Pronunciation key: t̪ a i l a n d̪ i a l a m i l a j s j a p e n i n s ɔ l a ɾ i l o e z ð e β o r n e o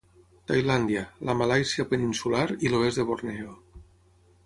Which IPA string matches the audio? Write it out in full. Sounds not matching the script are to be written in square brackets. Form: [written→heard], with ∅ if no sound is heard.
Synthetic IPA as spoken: t̪ a [i→j] l a n d̪ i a l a m [i→a] l a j s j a p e n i n s [ɔ→u] l a ɾ i l o e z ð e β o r n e o